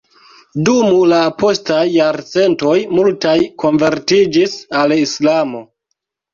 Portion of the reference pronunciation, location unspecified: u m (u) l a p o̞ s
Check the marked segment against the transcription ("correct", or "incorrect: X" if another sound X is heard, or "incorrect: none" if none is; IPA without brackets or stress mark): correct